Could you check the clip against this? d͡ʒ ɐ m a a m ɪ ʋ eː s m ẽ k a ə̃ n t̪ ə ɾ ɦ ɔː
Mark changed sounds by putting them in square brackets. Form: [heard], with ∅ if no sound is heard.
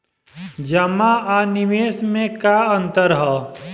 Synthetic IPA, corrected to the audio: d͡ʒ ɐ m a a [n] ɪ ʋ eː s m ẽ k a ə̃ n t̪ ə ɾ ɦ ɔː